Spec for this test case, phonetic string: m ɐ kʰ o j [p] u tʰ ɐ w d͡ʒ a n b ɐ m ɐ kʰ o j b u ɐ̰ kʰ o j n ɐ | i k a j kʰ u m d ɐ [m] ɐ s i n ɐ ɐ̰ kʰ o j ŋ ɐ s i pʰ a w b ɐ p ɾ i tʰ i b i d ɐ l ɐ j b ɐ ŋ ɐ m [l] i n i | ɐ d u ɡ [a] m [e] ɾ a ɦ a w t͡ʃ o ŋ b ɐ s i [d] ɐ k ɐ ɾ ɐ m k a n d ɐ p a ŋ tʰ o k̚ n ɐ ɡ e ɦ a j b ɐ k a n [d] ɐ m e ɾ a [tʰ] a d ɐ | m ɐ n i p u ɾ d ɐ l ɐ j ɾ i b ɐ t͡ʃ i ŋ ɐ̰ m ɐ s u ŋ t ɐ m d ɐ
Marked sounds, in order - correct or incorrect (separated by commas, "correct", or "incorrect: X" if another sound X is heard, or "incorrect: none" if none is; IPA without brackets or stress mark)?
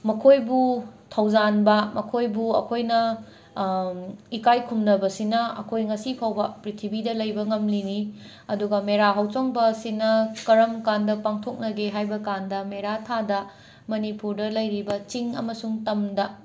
incorrect: b, incorrect: b, correct, incorrect: ɐ, correct, incorrect: n, correct, correct